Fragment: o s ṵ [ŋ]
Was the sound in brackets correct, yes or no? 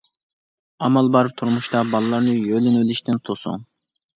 yes